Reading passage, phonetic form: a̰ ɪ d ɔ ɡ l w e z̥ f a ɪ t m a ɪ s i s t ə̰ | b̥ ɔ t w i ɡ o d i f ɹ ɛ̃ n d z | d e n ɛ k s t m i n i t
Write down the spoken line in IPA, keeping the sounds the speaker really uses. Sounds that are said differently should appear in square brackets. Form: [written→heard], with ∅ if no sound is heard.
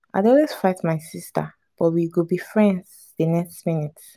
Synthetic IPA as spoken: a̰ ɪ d ɔ [ɡ→∅] l w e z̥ f a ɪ t m a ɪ s i s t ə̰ | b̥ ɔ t w i ɡ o [d→b] i f ɹ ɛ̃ n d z | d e n ɛ k s t m i n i t